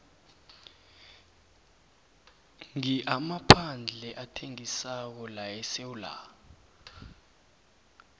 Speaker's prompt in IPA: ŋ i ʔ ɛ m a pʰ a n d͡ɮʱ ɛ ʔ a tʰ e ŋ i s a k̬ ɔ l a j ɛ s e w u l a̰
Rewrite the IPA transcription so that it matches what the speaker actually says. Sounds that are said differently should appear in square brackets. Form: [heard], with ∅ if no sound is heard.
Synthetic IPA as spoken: ŋ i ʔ [a] m a pʰ a n d͡ɮʱ ɛ ʔ a tʰ e ŋ i s a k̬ ɔ l a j ɛ s e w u l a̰